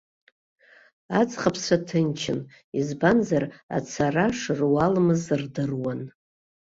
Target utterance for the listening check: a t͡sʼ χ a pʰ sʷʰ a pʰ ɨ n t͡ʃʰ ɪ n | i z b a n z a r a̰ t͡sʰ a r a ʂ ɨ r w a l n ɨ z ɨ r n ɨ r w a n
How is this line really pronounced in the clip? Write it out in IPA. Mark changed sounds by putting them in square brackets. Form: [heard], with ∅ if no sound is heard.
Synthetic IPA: a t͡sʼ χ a pʰ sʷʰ a [tʰ] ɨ n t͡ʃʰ ɪ n | i z b a n z a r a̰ t͡sʰ a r a ʂ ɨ r w a l [m] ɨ z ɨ r [d] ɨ r w a n